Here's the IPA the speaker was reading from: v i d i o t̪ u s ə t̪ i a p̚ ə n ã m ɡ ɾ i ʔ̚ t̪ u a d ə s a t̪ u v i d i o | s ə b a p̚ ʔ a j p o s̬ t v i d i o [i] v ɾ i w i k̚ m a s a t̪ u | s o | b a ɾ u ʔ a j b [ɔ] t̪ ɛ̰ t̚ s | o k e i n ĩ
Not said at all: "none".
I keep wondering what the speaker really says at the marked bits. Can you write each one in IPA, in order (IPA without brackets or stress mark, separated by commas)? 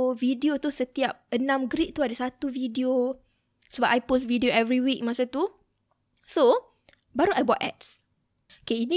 ɛ, ɔ